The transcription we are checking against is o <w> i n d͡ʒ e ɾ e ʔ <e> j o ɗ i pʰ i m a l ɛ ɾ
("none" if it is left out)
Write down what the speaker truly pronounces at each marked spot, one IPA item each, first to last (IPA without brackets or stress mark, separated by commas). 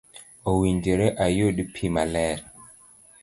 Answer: w, a